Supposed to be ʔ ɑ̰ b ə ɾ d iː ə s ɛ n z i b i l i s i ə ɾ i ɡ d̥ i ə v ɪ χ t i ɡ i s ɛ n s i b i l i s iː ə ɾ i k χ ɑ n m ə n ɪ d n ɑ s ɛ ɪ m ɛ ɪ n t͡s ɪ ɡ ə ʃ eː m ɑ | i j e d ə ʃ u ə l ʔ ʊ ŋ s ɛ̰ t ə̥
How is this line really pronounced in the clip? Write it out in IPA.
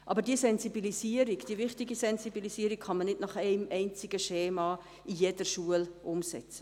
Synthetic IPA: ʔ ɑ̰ b ə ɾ d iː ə s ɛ n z i b i l i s i ə ɾ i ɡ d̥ i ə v ɪ χ t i ɡ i s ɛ n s i b i l i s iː ə ɾ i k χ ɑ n m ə n ɪ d n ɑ χ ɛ ɪ m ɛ ɪ n t͡s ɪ ɡ ə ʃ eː m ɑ | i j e d ə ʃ u ə l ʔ ʊ m s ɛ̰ t͡s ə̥